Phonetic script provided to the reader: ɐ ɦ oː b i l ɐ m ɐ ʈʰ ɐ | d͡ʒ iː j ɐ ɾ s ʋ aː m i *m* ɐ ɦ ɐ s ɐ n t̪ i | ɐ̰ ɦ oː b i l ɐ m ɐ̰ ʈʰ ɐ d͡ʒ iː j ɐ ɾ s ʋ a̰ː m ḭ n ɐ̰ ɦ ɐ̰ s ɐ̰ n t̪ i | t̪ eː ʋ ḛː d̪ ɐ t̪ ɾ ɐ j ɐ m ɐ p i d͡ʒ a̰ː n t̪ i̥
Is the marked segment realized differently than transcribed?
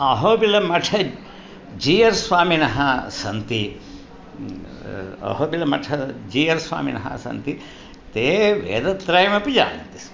yes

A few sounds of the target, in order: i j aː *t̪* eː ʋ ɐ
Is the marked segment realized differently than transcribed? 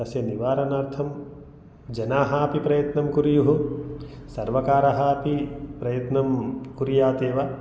no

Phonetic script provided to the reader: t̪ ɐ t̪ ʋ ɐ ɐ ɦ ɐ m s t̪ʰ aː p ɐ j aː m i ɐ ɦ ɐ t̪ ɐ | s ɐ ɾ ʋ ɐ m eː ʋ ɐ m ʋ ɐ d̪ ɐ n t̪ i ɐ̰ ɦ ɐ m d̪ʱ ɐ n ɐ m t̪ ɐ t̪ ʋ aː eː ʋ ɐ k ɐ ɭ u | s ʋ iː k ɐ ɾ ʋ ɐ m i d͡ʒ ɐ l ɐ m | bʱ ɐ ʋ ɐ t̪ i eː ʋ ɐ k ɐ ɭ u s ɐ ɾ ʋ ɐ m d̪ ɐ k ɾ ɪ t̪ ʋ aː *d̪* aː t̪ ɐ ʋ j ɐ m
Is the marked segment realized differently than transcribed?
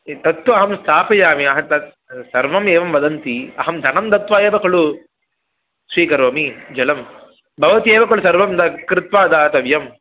no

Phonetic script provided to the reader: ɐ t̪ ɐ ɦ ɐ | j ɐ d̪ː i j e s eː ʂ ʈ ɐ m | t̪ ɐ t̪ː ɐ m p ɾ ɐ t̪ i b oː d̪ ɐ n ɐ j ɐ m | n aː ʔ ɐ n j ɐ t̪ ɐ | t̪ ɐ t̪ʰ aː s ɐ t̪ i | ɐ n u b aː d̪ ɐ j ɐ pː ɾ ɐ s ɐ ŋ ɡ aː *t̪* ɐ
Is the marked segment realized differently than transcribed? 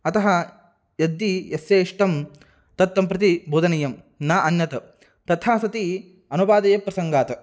no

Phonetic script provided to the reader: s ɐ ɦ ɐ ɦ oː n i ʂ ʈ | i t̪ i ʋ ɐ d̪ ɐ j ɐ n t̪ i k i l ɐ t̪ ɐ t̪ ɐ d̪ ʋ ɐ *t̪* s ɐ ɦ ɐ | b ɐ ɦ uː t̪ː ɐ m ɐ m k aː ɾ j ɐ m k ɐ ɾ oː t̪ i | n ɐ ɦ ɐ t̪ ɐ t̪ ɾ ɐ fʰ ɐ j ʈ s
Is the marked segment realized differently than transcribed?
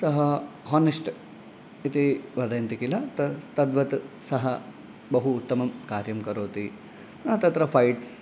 no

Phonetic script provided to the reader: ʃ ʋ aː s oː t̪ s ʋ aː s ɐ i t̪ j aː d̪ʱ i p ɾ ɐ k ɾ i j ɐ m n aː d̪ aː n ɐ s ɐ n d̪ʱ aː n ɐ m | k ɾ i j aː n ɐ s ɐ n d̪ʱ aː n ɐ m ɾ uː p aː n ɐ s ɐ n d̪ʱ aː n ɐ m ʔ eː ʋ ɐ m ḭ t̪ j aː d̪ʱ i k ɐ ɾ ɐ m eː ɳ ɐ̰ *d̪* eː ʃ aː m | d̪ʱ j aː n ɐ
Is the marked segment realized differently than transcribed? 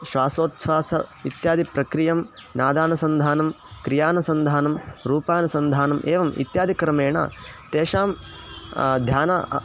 yes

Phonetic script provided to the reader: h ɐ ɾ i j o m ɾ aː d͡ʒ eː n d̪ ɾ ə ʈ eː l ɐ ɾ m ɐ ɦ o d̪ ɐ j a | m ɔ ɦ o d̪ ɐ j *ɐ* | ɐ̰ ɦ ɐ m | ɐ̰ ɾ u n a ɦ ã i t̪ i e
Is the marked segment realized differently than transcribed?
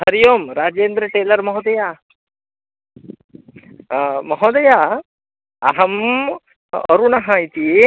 yes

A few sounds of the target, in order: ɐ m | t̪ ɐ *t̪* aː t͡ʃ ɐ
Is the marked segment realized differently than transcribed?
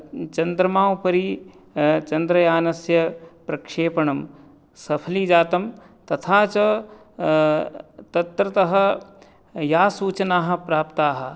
yes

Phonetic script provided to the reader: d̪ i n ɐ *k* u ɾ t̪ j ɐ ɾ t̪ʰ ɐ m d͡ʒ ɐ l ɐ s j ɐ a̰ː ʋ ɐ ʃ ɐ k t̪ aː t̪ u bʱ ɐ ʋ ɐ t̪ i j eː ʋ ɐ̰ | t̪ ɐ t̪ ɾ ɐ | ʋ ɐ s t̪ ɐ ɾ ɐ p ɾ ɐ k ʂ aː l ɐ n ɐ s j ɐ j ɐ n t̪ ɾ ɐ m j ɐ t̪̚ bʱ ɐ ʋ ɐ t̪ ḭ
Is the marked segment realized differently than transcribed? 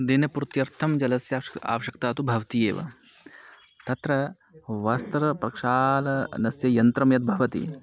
yes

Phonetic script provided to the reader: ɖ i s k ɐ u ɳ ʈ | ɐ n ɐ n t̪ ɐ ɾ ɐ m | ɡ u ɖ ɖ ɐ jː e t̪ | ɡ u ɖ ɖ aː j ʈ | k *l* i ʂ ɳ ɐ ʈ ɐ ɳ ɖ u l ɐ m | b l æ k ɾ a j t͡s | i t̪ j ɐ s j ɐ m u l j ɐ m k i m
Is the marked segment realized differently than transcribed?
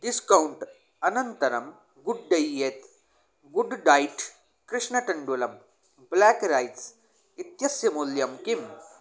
yes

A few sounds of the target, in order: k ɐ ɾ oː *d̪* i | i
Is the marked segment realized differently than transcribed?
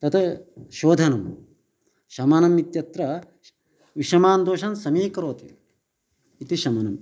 yes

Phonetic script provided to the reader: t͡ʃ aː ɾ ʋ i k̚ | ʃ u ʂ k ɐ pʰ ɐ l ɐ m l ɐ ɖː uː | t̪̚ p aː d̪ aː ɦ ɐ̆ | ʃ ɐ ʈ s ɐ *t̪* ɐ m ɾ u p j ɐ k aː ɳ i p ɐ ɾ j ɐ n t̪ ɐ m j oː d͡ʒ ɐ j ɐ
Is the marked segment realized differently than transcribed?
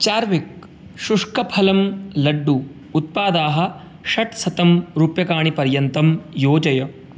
no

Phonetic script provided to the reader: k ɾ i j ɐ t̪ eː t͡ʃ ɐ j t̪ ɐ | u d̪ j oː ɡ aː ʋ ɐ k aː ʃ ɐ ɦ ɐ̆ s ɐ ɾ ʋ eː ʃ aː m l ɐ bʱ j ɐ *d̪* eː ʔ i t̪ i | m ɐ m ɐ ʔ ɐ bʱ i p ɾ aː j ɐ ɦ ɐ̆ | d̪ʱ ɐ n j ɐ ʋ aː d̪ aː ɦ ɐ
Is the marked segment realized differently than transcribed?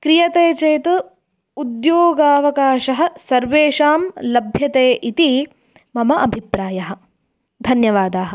yes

